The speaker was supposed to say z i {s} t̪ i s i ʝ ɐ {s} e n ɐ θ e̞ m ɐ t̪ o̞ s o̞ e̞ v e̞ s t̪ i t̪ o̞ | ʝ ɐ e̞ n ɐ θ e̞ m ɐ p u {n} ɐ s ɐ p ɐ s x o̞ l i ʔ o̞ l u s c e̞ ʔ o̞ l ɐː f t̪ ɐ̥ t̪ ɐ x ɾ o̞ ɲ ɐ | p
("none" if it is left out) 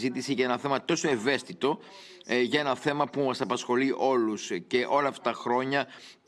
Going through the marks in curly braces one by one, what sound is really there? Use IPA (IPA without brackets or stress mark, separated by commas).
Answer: none, none, m